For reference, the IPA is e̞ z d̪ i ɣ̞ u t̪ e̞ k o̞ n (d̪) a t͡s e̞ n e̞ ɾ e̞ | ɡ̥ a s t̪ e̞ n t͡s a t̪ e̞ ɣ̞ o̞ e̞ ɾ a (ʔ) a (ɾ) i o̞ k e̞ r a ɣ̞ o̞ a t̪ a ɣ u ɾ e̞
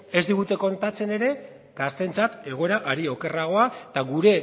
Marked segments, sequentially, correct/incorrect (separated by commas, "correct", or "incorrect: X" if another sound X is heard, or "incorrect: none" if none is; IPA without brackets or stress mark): incorrect: t̪, correct, correct